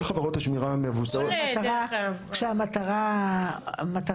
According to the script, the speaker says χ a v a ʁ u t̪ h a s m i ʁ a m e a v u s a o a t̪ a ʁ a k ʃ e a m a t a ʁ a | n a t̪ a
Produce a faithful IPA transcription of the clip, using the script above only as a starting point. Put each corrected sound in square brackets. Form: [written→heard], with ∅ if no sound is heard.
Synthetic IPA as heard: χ a v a ʁ [u→o] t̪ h a [s→ʃ] m i ʁ a m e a v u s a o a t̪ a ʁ a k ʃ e a m a t a ʁ a | [n→m] a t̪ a